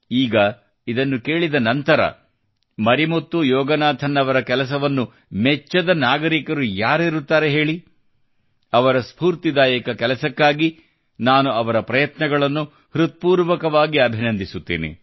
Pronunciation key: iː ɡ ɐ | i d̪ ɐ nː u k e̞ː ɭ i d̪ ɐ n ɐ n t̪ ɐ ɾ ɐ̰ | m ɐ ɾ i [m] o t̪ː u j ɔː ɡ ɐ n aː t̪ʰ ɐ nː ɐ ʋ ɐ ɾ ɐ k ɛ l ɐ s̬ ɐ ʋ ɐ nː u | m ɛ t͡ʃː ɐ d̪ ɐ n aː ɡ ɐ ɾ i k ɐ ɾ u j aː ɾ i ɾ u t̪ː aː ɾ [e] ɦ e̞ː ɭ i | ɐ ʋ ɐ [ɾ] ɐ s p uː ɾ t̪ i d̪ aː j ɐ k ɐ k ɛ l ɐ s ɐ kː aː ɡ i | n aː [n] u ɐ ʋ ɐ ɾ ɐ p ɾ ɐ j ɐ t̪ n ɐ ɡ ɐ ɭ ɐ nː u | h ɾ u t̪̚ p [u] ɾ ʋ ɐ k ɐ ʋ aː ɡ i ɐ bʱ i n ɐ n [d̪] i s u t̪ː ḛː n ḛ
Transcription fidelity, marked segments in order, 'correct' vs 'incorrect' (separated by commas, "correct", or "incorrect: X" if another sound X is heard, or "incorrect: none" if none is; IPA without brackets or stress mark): correct, correct, correct, correct, incorrect: uː, correct